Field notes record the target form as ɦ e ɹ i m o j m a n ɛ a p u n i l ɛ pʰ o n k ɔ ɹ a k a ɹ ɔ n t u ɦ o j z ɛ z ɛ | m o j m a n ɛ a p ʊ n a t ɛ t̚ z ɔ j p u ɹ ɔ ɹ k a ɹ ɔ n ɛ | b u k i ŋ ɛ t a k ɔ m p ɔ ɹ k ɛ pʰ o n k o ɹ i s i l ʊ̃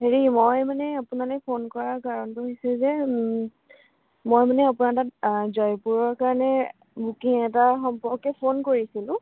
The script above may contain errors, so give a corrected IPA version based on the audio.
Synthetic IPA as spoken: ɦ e ɹ i m o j m a n ɛ a p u n a l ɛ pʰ o n k ɔ ɹ a k a ɹ ɔ n t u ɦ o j s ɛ z ɛ | m o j m a n ɛ a p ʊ n a t a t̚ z ɔ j p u ɹ ɔ ɹ k a ɹ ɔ n ɛ | b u k i ŋ ɛ t a x ɔ m p ɔ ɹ k ɛ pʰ o n k o ɹ i s i l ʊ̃